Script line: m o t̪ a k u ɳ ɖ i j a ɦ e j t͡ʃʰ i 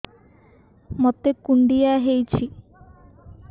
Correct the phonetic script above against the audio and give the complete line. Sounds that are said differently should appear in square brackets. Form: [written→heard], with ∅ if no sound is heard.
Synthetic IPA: m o t̪ [a→e] k u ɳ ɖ i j a ɦ e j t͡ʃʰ i